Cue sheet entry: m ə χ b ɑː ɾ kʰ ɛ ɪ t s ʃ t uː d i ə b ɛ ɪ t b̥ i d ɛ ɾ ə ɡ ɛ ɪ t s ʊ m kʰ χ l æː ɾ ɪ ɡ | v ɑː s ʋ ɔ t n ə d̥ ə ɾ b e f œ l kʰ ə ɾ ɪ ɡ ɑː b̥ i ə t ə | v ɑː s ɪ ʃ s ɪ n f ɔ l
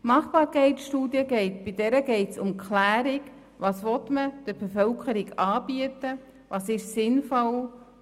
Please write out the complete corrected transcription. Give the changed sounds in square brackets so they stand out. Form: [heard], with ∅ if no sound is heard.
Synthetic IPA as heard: m [ɑ] χ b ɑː ɾ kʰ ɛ ɪ t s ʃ t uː d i ə [ɡ] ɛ ɪ t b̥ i d ɛ ɾ ə ɡ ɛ ɪ t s ʊ m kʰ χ l æː ɾ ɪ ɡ | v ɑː s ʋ ɔ t [m] ə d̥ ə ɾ b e f œ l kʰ ə ɾ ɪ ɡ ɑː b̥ i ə t ə | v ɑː s ɪ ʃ s ɪ n f ɔ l

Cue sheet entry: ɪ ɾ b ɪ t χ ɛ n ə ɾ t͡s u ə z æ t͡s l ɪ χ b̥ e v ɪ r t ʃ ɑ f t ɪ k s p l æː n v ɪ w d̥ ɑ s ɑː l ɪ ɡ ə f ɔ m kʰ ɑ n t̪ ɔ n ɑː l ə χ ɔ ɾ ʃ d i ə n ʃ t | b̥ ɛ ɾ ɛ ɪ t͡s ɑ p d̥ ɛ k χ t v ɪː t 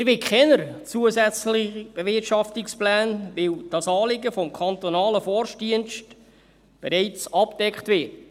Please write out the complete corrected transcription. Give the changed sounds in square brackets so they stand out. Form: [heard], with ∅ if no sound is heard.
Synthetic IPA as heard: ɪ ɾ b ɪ [k] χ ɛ n ə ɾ t͡s u ə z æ t͡s l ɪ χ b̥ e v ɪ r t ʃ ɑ f t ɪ k s p l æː n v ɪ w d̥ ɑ s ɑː l ɪ ɡ ə f ɔ m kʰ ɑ n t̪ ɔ n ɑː l ə [f] ɔ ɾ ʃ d i ə n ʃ t | b̥ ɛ ɾ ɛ ɪ t͡s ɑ p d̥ ɛ k χ t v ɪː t

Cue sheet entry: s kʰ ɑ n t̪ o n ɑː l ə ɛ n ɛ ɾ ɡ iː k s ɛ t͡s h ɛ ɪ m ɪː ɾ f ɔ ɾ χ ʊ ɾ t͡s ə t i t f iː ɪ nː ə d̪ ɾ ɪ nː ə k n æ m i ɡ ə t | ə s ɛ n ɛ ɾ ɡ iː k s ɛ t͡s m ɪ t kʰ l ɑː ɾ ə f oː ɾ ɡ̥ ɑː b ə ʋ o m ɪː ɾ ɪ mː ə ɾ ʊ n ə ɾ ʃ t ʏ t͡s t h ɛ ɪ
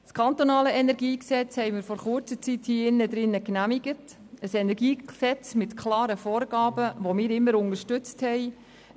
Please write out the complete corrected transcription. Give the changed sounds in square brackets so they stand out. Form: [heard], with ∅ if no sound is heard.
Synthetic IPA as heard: s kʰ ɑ n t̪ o n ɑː l ə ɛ n ɛ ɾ ɡ iː k s ɛ t͡s h ɛ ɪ m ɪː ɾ f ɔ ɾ χ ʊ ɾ t͡s ə [t͡s] i t [h] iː ɪ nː ə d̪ ɾ ɪ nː ə k n æ m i ɡ ə t | ə s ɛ n ɛ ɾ ɡ iː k s ɛ t͡s m ɪ t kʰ l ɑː ɾ ə f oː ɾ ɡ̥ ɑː b ə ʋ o m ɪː ɾ ɪ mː ə ɾ ʊ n ə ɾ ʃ t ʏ t͡s t h ɛ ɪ

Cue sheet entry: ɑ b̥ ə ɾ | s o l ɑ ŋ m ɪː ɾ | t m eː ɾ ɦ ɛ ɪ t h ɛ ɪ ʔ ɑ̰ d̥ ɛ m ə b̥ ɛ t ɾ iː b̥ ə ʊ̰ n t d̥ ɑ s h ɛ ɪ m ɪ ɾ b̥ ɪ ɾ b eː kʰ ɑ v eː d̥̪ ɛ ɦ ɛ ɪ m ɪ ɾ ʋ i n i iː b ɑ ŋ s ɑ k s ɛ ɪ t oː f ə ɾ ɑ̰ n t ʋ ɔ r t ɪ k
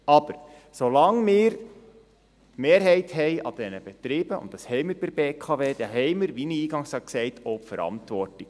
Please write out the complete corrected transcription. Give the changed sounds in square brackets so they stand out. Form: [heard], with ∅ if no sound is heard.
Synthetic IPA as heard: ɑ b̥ ə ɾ | s o l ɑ ŋ m ɪː ɾ | t m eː ɾ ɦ ɛ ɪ t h ɛ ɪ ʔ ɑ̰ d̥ ɛ [n] ə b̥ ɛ t ɾ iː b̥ ə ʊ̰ n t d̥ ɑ s h ɛ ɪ m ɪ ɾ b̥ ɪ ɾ b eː kʰ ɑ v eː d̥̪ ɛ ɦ ɛ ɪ m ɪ ɾ ʋ i n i iː [ɡ] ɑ ŋ s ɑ k s ɛ ɪ t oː f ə ɾ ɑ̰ n t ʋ ɔ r t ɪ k

